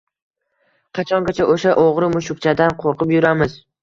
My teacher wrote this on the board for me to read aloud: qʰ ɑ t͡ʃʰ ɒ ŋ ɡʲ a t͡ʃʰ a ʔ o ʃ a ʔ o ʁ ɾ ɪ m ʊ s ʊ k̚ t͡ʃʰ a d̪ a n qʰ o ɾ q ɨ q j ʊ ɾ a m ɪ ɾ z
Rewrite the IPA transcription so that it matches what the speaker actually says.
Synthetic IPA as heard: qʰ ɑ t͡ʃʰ ɒ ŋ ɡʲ a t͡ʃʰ a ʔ o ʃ a ʔ o ʁ ɾ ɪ m ʊ ʃ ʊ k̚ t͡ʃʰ a d̪ a n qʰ o ɾ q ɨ p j ʊ ɾ a m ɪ z